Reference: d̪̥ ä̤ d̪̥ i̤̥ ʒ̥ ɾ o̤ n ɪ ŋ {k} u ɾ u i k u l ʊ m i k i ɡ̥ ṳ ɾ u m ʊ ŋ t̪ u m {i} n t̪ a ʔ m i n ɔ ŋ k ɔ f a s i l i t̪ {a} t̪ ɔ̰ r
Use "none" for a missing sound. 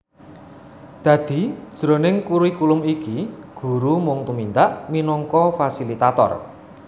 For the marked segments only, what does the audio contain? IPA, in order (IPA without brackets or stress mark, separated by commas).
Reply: k, i, a